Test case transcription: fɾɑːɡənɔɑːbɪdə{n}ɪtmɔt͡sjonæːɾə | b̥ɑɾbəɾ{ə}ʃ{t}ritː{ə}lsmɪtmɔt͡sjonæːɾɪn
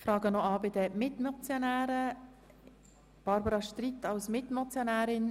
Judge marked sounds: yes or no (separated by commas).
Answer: no, no, yes, no